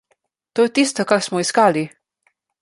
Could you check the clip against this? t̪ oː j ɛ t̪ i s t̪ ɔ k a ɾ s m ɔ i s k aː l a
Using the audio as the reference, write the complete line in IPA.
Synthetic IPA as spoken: t̪ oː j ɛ t̪ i s t̪ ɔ k a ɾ s m ɔ i s k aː l i